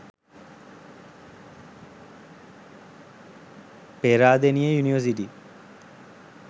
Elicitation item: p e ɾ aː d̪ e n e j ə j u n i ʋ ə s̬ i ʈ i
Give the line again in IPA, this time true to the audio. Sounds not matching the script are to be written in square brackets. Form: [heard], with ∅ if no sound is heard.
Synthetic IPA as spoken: p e ɾ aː d̪ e n [i] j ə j u n i ʋ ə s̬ i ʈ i